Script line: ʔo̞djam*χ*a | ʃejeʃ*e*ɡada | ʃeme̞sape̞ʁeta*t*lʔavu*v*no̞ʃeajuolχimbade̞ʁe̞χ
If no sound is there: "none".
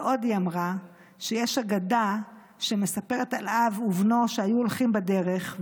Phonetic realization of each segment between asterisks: ʁ, a, none, v

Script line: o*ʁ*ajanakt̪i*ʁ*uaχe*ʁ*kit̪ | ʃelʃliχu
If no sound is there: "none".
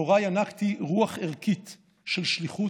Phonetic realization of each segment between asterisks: ʁ, ʁ, ʁ

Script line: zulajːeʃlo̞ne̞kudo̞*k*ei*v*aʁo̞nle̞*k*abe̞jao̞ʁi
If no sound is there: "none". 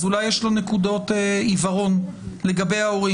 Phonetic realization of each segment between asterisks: t, v, ɡ

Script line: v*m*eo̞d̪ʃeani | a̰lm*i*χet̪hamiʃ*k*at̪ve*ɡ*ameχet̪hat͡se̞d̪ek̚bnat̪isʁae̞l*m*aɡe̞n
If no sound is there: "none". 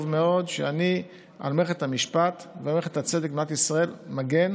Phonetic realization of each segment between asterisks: m, e, p, none, m

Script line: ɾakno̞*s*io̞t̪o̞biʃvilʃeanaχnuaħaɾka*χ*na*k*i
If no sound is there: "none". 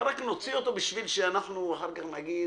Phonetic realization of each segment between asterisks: t͡s, χ, ɡ

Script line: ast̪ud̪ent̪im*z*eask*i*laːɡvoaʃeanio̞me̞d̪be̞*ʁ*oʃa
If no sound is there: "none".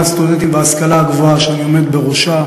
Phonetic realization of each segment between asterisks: v, a, ʁ

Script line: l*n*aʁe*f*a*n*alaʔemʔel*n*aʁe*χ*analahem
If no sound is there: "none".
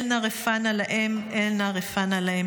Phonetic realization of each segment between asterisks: n, f, n, n, f

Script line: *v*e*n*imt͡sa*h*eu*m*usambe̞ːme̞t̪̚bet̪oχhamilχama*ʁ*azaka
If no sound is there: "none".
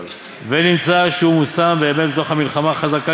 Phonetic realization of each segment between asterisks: v, n, ʃ, m, χ

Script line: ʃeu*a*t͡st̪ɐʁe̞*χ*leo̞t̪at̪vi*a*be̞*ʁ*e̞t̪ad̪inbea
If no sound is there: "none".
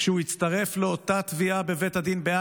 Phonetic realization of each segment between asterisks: i, f, a, v

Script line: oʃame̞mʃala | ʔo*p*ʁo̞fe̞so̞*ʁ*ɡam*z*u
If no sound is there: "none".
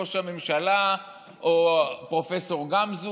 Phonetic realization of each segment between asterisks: p, ʁ, z

